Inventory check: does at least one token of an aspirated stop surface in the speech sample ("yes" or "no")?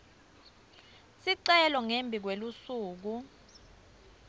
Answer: no